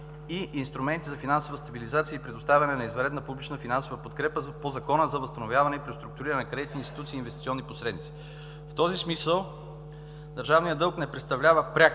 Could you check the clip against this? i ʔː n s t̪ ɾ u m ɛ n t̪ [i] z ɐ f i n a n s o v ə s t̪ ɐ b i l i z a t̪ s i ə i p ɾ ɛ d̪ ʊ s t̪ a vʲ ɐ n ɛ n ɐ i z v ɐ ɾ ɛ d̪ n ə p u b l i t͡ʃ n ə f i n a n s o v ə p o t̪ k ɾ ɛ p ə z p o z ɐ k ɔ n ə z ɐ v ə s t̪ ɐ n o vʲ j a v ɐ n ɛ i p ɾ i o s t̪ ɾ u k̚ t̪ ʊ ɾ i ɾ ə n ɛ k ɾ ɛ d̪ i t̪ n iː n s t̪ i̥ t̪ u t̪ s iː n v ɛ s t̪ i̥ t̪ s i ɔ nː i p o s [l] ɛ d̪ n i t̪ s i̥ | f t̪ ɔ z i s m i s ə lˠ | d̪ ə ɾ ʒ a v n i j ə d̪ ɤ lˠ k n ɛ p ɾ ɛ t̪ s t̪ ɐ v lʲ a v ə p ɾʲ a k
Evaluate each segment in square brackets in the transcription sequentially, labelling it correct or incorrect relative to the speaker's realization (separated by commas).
correct, incorrect